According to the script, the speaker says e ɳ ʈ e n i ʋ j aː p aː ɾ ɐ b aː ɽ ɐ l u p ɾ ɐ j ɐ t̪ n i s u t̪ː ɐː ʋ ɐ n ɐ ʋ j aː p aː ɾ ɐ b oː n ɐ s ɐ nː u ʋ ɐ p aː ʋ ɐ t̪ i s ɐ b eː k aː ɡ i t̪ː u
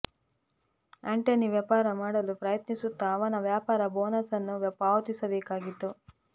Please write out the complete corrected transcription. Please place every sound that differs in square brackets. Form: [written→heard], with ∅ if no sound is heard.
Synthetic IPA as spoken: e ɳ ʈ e n i ʋ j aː p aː ɾ ɐ [b→m] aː ɽ ɐ l u p ɾ ɐ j ɐ t̪ n i s u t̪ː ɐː ʋ ɐ n ɐ ʋ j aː p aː ɾ ɐ b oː n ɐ s ɐ nː u ʋ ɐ p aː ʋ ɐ t̪ i s ɐ b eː k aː ɡ i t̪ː u

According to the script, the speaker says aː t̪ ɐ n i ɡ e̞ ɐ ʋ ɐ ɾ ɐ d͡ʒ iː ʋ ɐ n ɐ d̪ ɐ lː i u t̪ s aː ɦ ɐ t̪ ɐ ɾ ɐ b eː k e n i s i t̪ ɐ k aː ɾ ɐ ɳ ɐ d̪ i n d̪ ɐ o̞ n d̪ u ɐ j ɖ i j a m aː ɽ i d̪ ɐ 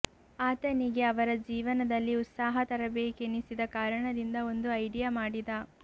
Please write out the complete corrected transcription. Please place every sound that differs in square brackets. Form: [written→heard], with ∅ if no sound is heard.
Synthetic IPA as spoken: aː t̪ ɐ n i ɡ e̞ ɐ ʋ ɐ ɾ ɐ d͡ʒ iː ʋ ɐ n ɐ d̪ ɐ lː i u t̪ s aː ɦ ɐ t̪ ɐ ɾ ɐ b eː k e n i s i [t̪→d̪] ɐ k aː ɾ ɐ ɳ ɐ d̪ i n d̪ ɐ o̞ n d̪ u ɐ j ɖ i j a m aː ɽ i d̪ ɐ

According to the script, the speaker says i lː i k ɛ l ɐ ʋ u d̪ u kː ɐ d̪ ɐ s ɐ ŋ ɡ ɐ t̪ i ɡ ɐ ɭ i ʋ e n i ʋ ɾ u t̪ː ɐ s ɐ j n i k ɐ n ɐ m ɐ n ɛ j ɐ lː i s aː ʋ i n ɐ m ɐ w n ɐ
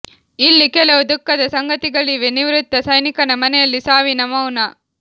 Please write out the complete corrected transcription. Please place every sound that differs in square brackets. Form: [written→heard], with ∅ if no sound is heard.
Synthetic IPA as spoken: i lː i k ɛ l ɐ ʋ u d̪ u kː ɐ d̪ ɐ s ɐ ŋ ɡ ɐ t̪ i ɡ ɐ ɭ i ʋ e n i ʋ ɾ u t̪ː ɐ s ɐ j n i k ɐ n ɐ m ɐ n ɛ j ɐ lː i s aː ʋ i n ɐ m ɐ w n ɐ

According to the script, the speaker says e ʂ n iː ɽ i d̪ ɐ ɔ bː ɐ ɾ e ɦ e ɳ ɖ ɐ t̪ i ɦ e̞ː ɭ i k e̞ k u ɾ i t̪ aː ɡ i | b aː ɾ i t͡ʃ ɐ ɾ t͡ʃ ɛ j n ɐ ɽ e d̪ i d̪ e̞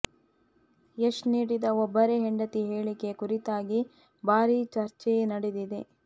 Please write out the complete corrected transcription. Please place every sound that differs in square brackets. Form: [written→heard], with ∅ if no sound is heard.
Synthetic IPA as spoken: e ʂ n iː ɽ i d̪ ɐ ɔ bː ɐ ɾ e ɦ e ɳ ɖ ɐ t̪ i ɦ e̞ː ɭ i k e̞ k u ɾ i t̪ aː ɡ i | b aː ɾ i t͡ʃ ɐ ɾ t͡ʃ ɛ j n ɐ ɽ e d̪ i d̪ e̞

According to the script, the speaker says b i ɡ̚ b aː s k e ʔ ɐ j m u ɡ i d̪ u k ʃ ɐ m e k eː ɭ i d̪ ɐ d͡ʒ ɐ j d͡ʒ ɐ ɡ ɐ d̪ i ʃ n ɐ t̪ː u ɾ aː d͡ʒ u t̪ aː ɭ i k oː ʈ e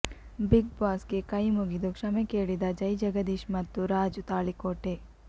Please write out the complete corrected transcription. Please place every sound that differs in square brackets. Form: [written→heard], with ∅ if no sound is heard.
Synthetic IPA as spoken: b i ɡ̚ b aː s k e [ʔ→k] ɐ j m u ɡ i d̪ u k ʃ ɐ m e k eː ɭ i d̪ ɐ d͡ʒ ɐ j d͡ʒ ɐ ɡ ɐ d̪ i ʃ [n→m] ɐ t̪ː u ɾ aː d͡ʒ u t̪ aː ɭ i k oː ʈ e

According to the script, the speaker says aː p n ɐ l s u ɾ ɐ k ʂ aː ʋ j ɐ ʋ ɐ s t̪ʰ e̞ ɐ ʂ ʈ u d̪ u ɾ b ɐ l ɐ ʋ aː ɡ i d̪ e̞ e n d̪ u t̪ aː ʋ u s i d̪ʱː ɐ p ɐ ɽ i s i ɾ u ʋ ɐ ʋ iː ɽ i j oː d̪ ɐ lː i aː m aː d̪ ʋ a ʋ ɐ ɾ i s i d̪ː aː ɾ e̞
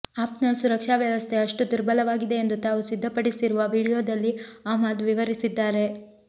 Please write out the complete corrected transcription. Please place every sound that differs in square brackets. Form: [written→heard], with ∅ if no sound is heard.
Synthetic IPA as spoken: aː p n ɐ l s u ɾ ɐ k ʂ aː ʋ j ɐ ʋ ɐ s t̪ʰ e̞ ɐ ʂ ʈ u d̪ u ɾ b ɐ l ɐ ʋ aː ɡ i d̪ e̞ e n d̪ u t̪ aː ʋ u s i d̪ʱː ɐ p ɐ ɽ i s i ɾ u ʋ ɐ ʋ iː ɽ i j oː d̪ ɐ lː i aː m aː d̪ ʋ [a→i] ʋ ɐ ɾ i s i d̪ː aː ɾ e̞

